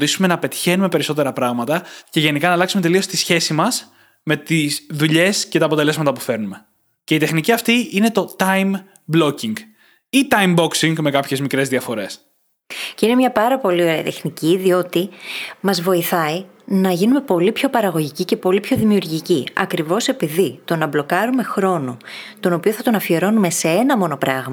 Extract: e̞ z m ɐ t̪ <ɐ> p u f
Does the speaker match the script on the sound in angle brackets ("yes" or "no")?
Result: yes